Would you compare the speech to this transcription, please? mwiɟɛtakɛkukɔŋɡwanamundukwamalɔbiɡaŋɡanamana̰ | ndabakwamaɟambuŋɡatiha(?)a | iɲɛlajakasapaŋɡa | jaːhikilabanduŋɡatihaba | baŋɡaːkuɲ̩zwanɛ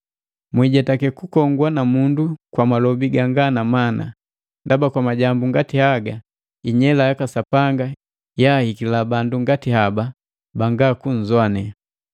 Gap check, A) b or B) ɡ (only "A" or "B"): B